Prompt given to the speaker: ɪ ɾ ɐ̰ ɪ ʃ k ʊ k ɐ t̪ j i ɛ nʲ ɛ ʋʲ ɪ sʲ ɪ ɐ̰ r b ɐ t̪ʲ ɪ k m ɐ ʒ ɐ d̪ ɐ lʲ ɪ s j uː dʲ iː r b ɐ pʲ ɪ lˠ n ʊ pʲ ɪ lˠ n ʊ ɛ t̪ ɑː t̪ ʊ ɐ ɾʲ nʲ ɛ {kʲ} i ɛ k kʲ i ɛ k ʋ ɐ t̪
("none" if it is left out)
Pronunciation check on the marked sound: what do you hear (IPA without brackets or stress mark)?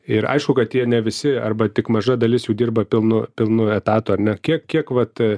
kʲ